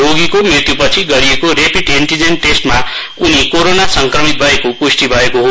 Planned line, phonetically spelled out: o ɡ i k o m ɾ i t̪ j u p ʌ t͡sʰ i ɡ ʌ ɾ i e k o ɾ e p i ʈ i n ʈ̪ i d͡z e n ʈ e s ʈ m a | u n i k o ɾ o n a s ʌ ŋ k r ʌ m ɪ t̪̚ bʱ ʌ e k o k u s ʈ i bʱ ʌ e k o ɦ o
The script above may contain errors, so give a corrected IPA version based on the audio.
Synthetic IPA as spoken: o ɡ i k o m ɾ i t̪ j u p ʌ t͡sʰ i ɡ ʌ ɾ i e k o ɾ e p i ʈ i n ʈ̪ i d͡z e n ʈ e s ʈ m a | u n i k o ɾ o n a s ʌ ŋ k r ʌ m i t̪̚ bʱ ʌ e k o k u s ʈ i bʱ ʌ e k o ɦ o